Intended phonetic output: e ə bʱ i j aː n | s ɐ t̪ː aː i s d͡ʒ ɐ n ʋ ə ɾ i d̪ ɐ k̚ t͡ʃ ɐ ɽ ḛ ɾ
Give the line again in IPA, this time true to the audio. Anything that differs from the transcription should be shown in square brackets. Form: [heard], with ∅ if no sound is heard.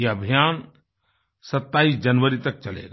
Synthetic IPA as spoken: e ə bʱ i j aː n | s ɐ t̪ː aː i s d͡ʒ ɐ n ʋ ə ɾ i [t̪] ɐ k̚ t͡ʃ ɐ [l] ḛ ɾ